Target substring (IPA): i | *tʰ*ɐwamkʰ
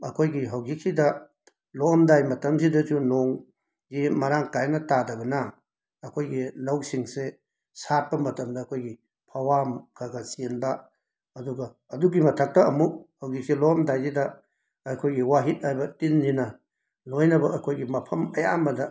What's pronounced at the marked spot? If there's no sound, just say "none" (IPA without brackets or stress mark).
pʰ